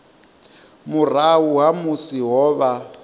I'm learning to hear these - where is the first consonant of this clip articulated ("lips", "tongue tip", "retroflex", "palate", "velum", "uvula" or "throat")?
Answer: lips